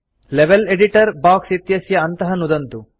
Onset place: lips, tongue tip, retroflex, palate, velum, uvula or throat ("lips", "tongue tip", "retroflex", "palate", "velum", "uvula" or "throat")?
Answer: tongue tip